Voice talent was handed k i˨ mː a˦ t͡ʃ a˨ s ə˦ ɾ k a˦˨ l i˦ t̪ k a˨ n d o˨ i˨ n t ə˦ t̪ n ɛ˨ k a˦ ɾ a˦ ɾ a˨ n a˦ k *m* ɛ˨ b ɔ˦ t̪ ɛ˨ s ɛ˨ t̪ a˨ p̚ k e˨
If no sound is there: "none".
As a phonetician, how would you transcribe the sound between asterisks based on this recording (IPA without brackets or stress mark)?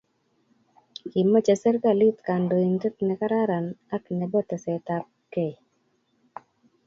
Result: n